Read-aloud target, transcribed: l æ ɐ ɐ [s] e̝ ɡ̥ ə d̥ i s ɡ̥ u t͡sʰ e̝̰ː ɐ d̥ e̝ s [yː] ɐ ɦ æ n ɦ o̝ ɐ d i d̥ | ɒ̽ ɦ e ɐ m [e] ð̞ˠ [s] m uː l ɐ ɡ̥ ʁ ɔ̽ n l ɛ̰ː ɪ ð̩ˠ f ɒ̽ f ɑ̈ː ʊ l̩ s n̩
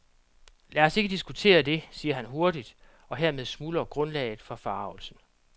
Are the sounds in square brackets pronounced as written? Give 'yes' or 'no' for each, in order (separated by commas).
yes, no, yes, yes